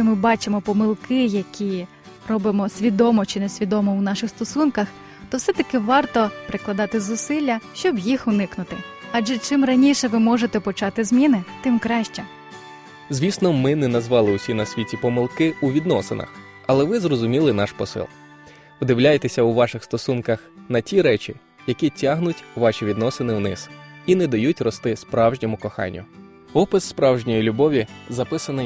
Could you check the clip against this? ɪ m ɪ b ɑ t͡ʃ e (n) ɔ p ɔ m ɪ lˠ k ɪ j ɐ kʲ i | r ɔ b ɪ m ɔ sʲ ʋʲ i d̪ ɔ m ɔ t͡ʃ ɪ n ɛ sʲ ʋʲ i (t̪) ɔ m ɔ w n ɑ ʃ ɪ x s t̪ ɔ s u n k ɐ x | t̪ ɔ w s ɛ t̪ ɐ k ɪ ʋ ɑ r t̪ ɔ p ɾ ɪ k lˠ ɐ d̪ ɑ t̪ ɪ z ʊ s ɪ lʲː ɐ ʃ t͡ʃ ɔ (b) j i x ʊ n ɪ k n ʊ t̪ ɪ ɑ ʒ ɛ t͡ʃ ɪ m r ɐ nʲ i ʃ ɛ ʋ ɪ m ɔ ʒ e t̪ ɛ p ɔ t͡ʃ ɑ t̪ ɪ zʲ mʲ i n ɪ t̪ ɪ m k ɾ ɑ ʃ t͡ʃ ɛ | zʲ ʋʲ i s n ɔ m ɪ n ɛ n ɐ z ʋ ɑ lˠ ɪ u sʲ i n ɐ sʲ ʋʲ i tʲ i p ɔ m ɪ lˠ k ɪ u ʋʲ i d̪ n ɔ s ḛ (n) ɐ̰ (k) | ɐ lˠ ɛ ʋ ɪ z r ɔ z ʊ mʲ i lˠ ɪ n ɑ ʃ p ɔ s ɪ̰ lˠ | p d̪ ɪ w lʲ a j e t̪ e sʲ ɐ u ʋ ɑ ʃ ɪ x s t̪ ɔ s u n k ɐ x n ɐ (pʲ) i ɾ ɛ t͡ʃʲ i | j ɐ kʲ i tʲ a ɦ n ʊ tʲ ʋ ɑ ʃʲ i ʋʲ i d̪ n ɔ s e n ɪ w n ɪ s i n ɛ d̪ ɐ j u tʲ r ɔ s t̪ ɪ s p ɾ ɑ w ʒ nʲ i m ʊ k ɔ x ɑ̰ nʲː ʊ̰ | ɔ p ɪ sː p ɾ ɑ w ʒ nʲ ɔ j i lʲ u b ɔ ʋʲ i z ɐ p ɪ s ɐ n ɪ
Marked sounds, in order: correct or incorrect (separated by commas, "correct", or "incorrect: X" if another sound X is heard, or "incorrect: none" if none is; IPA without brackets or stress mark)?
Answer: incorrect: m, incorrect: d̪, correct, correct, incorrect: x, incorrect: tʲ